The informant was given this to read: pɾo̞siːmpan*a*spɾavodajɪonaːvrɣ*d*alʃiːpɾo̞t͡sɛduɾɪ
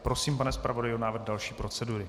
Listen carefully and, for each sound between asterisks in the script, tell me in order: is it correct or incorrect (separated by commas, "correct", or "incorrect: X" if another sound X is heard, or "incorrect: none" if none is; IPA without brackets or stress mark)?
incorrect: ɛ, correct